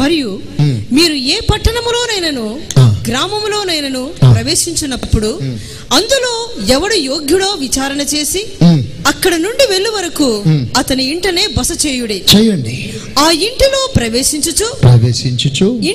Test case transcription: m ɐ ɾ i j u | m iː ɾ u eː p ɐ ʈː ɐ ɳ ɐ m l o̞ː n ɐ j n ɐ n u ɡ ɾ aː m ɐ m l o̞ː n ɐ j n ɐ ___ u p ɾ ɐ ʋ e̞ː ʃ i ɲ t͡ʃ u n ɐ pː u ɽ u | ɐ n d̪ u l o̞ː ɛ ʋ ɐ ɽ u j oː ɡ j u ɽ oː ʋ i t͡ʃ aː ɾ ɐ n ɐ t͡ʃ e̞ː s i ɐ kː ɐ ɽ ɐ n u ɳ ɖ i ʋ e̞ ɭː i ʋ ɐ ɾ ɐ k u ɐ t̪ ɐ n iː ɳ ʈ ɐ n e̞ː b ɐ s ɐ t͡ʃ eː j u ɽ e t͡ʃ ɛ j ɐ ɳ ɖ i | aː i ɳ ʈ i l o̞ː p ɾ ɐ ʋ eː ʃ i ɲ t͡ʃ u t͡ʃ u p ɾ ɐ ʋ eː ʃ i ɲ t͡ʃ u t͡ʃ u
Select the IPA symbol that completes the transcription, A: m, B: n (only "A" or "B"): B